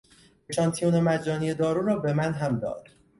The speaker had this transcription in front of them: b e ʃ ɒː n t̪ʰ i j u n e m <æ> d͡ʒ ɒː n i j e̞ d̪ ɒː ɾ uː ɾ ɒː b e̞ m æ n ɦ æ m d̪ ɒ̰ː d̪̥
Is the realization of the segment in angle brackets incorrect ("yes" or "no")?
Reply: no